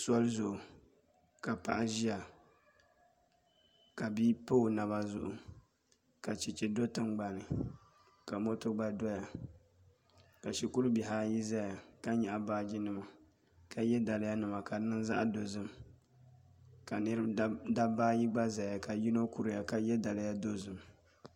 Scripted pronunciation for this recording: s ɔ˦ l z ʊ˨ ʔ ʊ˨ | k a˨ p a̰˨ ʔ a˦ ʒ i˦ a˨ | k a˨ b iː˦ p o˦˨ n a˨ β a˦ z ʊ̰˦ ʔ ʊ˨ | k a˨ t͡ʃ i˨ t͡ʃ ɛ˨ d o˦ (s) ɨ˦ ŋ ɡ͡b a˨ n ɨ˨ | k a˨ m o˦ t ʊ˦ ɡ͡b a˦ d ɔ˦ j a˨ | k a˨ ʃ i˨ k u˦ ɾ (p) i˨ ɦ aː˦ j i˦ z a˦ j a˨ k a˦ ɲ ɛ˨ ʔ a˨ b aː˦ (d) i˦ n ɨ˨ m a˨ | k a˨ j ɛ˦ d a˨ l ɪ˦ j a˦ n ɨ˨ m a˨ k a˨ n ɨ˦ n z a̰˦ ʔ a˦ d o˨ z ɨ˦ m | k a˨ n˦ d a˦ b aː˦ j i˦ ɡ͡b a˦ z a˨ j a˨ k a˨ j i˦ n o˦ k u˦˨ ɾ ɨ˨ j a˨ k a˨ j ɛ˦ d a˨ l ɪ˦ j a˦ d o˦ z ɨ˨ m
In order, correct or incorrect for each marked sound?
incorrect: t, incorrect: b, incorrect: d͡ʒ

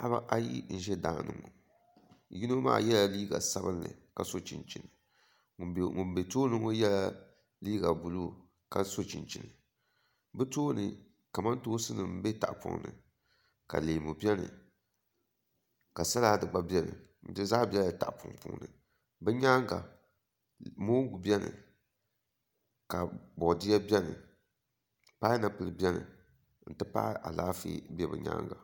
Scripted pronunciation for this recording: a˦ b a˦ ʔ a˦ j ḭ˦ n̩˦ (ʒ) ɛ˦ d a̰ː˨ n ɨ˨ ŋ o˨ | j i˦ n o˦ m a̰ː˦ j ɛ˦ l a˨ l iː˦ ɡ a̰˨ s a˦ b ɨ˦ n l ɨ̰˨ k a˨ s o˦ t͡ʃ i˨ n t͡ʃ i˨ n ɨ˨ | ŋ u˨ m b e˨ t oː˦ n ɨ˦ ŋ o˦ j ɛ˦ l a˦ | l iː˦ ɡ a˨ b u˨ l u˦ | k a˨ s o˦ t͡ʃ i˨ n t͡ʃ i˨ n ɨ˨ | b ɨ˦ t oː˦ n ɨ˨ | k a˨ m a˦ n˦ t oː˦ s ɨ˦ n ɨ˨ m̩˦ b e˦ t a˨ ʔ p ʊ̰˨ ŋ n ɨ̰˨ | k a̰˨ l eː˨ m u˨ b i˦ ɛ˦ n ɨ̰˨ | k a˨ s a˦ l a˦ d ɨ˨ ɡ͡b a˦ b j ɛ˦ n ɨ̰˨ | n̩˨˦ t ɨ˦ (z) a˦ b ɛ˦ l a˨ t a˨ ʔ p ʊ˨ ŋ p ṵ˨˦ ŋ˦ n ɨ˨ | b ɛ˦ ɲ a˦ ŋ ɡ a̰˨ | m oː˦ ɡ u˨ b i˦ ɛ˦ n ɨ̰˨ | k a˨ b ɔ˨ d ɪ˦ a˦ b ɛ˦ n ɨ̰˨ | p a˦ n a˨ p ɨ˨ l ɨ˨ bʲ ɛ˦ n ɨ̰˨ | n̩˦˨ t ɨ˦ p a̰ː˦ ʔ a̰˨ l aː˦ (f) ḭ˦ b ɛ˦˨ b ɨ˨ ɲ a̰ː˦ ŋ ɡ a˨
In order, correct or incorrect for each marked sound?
correct, correct, correct

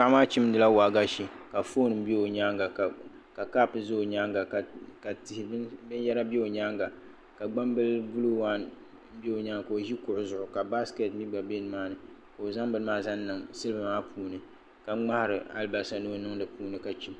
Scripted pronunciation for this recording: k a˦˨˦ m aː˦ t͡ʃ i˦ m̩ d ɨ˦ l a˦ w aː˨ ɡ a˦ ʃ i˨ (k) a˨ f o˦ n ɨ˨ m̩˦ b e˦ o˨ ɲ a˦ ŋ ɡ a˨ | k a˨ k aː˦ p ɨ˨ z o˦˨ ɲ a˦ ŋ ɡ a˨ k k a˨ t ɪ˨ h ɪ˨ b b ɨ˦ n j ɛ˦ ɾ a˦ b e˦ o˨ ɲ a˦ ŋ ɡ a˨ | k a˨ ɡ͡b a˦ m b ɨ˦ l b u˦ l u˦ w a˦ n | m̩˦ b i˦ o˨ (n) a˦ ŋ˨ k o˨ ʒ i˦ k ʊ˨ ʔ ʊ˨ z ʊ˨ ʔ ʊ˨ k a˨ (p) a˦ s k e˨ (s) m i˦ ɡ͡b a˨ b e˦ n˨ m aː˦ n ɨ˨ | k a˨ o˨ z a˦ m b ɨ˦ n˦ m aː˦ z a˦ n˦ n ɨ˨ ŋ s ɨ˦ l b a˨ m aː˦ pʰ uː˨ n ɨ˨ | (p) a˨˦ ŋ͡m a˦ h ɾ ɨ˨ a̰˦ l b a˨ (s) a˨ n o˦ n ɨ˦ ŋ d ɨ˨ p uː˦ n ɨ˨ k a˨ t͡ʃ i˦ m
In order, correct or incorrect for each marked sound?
correct, incorrect: ɲ, incorrect: b, incorrect: t, incorrect: k, correct

